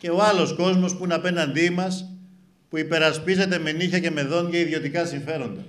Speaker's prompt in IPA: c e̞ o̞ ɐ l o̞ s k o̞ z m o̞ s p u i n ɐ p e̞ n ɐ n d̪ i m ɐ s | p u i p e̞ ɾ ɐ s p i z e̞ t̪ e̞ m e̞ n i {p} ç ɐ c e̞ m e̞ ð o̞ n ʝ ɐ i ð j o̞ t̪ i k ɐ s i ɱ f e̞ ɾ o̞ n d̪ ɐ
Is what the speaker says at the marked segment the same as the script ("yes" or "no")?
no